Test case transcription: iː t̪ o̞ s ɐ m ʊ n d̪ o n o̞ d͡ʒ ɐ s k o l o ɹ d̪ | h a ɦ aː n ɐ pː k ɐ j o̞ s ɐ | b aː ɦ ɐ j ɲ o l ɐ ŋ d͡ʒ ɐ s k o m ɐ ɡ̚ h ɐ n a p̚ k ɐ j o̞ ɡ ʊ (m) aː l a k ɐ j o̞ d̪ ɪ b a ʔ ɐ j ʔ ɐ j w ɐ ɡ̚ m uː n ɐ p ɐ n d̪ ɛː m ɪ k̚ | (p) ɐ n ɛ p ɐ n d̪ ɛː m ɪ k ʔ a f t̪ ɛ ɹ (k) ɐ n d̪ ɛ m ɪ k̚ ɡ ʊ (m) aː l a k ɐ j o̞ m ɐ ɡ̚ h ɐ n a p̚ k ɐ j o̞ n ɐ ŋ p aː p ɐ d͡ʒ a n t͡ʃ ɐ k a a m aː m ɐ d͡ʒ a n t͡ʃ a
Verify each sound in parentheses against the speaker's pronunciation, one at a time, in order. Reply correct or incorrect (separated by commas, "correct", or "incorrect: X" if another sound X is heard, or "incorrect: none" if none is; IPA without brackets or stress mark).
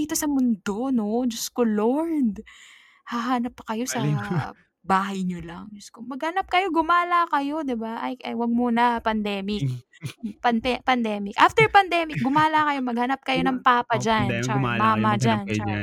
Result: correct, correct, incorrect: p, correct